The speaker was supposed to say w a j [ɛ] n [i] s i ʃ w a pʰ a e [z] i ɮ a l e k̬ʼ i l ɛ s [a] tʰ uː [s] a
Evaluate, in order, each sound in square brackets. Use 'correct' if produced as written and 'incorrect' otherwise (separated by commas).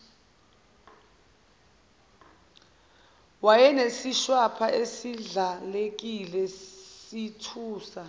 correct, incorrect, incorrect, incorrect, correct